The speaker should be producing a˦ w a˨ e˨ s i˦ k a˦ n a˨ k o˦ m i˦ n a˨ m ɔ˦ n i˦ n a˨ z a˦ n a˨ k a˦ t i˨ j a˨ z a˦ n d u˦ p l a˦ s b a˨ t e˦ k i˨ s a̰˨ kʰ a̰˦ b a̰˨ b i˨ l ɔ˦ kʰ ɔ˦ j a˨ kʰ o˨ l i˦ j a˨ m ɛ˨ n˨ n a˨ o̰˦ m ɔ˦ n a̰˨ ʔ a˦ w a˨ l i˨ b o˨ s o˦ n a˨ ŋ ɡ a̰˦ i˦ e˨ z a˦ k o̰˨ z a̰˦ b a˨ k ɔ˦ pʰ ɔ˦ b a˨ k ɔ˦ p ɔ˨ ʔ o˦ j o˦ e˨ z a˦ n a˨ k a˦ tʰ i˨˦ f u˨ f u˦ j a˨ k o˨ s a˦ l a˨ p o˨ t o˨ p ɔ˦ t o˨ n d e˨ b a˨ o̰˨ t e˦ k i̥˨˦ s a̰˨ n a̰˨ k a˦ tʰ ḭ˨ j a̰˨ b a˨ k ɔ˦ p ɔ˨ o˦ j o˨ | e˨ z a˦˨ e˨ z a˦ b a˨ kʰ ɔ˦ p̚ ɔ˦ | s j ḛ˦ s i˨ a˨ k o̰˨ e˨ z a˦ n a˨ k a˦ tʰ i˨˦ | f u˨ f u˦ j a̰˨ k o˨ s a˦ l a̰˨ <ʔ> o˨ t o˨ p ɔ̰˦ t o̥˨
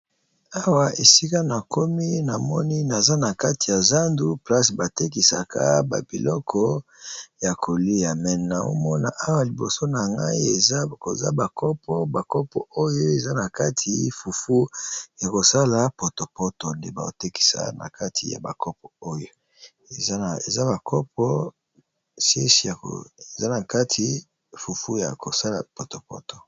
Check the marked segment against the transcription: incorrect: p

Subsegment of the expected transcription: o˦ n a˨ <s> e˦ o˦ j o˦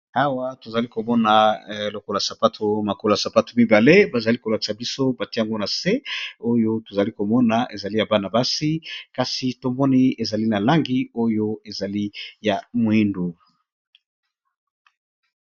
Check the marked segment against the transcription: correct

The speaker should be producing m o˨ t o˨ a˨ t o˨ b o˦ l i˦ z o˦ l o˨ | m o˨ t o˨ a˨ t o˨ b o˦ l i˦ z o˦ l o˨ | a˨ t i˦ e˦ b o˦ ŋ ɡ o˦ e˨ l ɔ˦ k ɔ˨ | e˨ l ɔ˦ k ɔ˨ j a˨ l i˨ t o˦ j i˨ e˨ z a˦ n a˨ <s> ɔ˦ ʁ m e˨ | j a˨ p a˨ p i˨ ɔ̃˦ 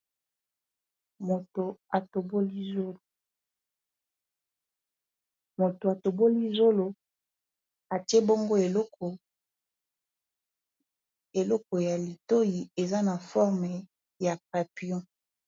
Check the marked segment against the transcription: incorrect: f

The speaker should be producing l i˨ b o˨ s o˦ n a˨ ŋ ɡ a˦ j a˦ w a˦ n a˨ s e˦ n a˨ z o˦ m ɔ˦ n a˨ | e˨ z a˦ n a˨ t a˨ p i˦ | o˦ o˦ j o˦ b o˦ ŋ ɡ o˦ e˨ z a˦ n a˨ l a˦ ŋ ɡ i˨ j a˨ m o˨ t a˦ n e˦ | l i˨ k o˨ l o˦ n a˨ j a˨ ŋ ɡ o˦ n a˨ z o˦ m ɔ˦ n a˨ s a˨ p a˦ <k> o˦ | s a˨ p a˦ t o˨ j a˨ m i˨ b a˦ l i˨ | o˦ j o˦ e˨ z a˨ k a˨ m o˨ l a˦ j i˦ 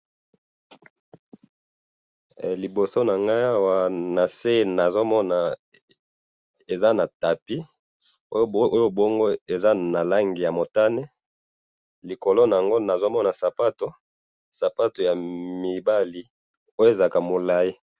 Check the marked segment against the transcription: incorrect: t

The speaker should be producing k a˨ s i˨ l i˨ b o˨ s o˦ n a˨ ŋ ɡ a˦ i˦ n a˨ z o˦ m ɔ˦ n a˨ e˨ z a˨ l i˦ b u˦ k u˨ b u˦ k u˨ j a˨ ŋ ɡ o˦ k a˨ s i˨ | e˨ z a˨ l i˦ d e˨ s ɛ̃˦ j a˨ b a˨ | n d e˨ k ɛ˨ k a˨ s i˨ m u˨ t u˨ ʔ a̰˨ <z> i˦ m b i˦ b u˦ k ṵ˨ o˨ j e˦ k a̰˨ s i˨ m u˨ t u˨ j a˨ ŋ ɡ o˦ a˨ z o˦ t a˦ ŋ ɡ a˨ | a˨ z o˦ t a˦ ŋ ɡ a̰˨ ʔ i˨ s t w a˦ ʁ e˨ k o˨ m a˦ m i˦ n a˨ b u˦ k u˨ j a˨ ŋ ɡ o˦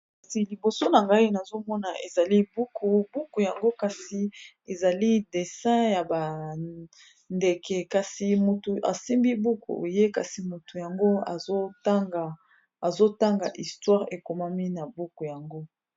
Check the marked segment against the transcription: incorrect: s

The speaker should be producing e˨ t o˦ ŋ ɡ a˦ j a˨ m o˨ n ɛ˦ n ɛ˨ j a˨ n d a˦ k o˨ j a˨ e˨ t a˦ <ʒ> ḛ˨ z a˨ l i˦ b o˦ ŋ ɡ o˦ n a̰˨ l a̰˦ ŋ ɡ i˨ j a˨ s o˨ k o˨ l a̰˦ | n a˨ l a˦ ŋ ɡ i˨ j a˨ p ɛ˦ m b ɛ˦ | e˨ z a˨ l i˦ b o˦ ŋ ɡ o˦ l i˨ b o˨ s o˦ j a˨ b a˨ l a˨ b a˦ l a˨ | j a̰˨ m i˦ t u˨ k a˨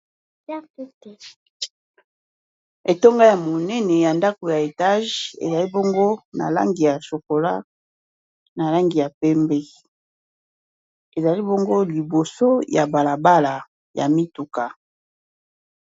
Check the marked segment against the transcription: correct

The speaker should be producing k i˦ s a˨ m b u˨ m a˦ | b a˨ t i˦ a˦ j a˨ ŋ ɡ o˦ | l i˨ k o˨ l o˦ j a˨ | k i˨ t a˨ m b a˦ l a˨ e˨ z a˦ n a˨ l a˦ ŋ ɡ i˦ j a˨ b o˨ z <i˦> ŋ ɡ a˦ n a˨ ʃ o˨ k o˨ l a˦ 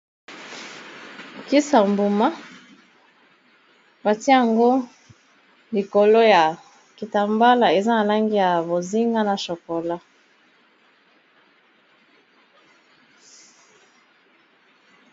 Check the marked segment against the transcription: correct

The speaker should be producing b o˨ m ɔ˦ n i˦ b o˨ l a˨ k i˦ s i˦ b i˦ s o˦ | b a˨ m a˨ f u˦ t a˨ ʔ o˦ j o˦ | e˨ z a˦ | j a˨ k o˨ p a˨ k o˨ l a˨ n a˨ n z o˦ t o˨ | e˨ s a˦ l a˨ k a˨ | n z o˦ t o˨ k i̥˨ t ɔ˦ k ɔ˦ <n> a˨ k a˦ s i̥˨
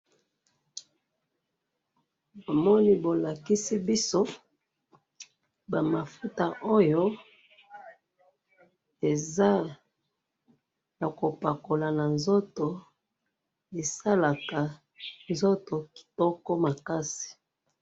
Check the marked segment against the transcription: incorrect: m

